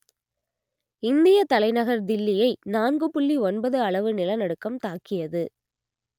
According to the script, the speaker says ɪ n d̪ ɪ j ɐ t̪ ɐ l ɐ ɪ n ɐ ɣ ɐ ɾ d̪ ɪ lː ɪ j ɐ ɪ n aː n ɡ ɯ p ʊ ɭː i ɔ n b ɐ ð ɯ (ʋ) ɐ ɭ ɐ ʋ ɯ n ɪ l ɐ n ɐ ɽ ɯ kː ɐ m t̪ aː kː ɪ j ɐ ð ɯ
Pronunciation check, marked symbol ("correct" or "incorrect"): incorrect